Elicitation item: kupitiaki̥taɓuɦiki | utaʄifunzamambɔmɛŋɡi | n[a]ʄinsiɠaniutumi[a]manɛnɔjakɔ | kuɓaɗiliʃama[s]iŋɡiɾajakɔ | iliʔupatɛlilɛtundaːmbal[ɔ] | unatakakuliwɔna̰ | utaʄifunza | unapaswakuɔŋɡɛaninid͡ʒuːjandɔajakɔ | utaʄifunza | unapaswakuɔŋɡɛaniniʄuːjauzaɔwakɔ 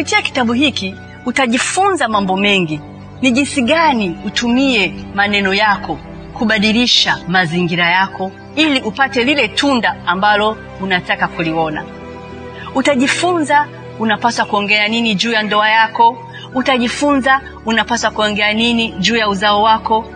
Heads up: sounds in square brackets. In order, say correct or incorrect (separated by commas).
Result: incorrect, incorrect, incorrect, correct